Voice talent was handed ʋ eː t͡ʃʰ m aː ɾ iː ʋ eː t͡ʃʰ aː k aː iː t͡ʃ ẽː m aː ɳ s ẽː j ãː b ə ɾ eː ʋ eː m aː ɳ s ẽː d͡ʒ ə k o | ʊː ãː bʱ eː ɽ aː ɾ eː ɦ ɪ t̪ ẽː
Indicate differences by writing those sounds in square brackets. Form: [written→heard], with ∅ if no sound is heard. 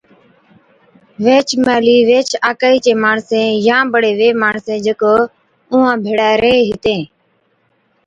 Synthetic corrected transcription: ʋ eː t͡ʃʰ m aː [ɾ→l] iː ʋ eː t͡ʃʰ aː k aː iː t͡ʃ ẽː m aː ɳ s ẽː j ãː b ə [ɾ→ɽ] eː ʋ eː m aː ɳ s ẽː d͡ʒ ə k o | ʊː ãː bʱ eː ɽ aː ɾ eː ɦ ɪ t̪ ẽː